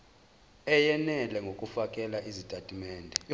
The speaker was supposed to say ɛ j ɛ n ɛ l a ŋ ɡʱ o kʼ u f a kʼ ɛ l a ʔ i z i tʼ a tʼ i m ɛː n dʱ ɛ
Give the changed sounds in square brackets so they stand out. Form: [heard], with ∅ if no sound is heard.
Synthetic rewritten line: ɛ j ɛ n ɛ l [ɛ] ŋ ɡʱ o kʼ u f a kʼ ɛ l a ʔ i z i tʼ a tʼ i m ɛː n dʱ ɛ

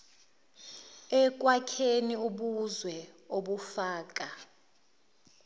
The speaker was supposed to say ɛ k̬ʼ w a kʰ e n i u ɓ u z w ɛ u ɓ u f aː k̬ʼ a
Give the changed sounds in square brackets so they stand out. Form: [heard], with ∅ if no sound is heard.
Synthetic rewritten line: ɛ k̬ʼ w a kʰ e n i u ɓ u z w ɛ [o] ɓ u f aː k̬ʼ a

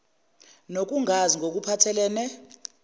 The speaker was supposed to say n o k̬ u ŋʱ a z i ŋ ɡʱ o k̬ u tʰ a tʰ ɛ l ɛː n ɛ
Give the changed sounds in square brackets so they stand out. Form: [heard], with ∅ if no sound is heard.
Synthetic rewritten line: n o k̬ u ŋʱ a z i ŋ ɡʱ o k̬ u [pʰ] a tʰ ɛ l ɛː n ɛ

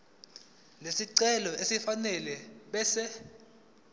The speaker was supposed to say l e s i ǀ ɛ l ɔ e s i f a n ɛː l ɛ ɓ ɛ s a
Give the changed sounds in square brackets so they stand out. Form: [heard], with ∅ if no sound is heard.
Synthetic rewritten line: l e s i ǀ ɛ l ɔ e s i f a n [ɛ] l ɛ ɓ ɛ s [ɛ]

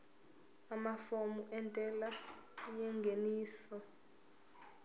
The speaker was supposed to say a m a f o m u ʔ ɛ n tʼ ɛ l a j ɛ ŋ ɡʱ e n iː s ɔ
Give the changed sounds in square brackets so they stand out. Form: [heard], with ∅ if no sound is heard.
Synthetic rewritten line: a m a f o m u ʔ ɛ n tʼ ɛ l a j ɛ ŋ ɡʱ e n iː s ɔ

